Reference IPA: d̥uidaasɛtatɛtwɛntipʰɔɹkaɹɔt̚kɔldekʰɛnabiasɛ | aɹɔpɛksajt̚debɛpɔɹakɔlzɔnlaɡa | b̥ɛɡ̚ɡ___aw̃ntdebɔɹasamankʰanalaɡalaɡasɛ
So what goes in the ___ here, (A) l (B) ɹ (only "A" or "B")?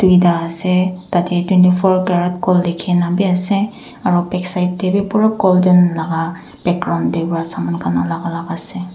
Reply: B